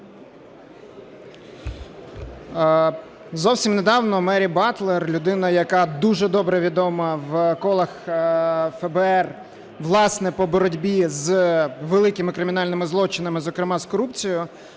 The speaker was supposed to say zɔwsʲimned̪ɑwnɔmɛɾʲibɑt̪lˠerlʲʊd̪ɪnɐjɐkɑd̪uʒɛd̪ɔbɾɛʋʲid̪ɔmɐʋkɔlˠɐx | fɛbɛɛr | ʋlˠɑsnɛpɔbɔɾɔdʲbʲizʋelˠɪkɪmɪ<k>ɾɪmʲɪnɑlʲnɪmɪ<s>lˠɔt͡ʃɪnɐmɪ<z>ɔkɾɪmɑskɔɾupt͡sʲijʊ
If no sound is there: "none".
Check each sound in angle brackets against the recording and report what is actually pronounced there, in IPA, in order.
k, z, z

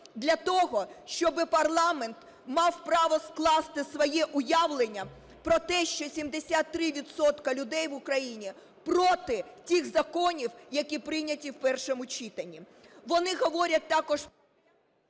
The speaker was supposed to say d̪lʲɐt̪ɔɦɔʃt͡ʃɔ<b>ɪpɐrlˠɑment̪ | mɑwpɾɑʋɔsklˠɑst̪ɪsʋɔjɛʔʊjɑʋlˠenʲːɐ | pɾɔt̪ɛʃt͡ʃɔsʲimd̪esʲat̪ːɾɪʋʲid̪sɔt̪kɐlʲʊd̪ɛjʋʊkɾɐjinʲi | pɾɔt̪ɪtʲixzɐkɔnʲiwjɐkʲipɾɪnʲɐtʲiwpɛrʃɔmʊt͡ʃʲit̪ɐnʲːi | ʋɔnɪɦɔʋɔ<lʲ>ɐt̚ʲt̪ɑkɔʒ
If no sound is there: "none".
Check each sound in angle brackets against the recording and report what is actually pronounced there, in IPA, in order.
b, ɾʲ

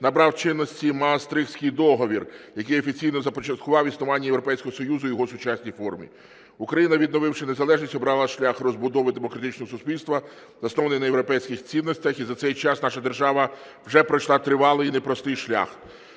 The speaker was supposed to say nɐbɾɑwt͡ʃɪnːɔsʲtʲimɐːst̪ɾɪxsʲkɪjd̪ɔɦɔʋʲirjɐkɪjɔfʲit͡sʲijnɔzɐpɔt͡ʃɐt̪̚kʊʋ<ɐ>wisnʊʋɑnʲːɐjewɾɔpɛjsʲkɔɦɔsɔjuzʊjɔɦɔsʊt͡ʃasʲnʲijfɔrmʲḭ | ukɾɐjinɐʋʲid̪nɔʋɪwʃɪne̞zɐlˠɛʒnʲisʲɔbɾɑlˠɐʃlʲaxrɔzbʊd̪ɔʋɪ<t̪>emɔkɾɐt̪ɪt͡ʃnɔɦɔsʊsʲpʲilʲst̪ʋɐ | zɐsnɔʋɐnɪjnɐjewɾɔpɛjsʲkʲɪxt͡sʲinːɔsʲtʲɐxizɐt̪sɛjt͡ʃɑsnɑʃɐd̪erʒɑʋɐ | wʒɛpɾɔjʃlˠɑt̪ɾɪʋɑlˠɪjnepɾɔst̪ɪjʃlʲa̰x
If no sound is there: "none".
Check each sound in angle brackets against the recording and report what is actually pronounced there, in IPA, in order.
ɑ, d̪

